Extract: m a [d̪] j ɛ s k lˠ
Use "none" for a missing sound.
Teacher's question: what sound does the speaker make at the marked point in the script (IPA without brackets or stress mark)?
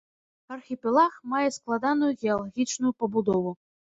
none